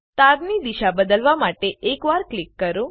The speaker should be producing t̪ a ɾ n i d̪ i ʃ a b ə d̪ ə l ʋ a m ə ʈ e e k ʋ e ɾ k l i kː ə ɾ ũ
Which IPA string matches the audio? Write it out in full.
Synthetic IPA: t̪ a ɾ n i d̪ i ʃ a b ə d̪ ə l ʋ a m a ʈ e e k ʋ a ɾ k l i kː ə ɾ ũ